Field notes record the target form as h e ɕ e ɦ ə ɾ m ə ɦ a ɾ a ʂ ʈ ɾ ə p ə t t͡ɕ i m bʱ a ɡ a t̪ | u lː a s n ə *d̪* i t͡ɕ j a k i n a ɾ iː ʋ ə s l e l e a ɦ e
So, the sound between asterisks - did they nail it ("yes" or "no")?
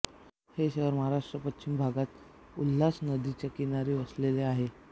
yes